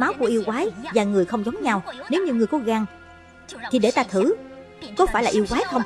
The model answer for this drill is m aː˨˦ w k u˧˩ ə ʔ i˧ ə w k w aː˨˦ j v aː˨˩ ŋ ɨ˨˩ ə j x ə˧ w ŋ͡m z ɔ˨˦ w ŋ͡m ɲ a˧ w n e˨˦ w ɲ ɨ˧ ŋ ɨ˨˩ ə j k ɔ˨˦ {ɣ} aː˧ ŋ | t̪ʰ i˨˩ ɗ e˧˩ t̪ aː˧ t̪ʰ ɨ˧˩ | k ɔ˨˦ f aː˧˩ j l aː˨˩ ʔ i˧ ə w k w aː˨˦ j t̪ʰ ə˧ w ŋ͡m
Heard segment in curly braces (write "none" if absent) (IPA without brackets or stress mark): ɣ